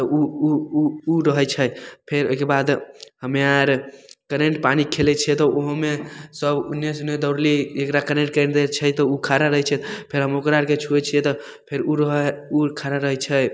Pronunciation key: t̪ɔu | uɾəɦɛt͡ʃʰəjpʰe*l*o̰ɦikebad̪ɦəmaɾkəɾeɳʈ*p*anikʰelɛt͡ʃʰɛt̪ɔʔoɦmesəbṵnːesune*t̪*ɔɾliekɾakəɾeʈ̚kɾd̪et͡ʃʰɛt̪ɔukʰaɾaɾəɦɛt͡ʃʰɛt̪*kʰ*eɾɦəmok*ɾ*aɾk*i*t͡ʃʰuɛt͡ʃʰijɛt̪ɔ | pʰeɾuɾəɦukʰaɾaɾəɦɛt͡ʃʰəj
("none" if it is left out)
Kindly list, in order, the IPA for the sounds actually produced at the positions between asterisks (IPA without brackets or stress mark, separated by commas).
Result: ɾ, p, d̪, pʰ, ɾ, e